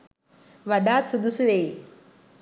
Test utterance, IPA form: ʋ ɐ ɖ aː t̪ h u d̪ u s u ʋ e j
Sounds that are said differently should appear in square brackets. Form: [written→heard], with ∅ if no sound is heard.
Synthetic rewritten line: ʋ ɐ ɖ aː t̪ [h→s] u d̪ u s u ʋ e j